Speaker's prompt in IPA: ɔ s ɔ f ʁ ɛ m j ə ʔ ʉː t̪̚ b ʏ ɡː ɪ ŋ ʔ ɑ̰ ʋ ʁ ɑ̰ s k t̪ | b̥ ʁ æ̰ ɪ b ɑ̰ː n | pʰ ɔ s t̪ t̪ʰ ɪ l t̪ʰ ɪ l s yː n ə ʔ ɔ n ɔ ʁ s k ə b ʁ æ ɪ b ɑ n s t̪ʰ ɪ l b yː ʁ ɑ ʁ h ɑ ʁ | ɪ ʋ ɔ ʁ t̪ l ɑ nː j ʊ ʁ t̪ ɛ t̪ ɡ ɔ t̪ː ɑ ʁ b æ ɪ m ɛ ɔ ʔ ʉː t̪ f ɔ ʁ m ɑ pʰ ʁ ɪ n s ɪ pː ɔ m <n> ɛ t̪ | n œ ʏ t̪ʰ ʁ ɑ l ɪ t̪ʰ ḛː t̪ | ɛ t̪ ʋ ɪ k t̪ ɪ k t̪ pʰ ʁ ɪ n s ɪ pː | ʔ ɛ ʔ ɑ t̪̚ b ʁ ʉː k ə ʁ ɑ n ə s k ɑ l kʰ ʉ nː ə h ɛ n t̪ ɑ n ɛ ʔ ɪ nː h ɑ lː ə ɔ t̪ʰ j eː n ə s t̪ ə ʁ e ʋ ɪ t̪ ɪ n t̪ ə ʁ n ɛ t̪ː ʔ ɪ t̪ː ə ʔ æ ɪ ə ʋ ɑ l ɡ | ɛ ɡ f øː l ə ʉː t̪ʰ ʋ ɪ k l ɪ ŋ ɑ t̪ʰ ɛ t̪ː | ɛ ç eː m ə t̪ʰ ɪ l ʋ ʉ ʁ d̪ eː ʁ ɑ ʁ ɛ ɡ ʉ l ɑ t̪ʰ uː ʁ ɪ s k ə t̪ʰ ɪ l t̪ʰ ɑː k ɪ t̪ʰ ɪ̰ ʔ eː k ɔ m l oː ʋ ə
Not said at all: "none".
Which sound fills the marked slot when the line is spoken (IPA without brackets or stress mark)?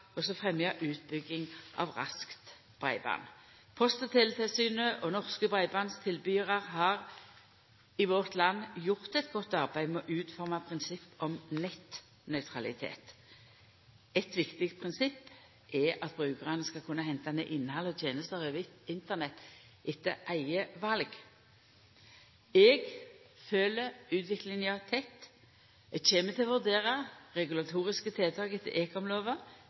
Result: n